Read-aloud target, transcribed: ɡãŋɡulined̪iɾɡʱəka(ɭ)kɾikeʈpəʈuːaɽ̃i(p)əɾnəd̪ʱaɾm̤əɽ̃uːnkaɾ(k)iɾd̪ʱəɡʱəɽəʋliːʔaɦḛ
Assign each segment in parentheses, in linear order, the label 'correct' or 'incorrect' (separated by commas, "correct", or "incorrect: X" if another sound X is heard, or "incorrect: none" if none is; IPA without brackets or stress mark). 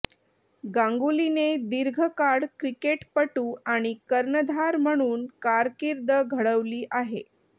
incorrect: ɽ, incorrect: k, correct